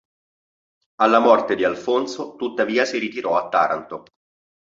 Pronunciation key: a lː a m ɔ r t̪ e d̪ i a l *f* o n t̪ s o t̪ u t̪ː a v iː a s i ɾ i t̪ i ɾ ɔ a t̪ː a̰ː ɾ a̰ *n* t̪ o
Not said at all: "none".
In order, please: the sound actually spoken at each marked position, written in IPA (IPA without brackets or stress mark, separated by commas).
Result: f, n